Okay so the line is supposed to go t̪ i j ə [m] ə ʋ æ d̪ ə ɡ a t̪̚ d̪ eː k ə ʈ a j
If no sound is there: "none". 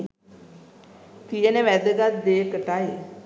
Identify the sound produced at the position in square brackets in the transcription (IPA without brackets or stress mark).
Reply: n